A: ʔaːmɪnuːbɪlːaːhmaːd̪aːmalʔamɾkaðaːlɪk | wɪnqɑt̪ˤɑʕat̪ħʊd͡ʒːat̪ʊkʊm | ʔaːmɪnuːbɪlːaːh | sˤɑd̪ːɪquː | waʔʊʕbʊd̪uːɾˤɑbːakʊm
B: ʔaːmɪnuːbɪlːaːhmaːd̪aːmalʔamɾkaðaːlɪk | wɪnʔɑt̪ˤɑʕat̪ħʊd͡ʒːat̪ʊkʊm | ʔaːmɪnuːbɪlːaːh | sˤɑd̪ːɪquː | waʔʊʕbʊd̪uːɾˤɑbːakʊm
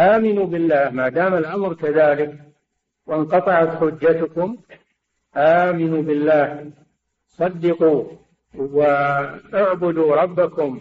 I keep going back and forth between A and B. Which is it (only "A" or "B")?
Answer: A